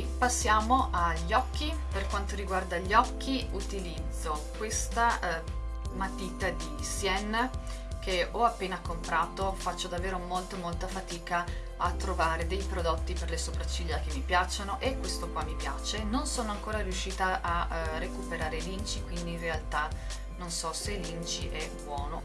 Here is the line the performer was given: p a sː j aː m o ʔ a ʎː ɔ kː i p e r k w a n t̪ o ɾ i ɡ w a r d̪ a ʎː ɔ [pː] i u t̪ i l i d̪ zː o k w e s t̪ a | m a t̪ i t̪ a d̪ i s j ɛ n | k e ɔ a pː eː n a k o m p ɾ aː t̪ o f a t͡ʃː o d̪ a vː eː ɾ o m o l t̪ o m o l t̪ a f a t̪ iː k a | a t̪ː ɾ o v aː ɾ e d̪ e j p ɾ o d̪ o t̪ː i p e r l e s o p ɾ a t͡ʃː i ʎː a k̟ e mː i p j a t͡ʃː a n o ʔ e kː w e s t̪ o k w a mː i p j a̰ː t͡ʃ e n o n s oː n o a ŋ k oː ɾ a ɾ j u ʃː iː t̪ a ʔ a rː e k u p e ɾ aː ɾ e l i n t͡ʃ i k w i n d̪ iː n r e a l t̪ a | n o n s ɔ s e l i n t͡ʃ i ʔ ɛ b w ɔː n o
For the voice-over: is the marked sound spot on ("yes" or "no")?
no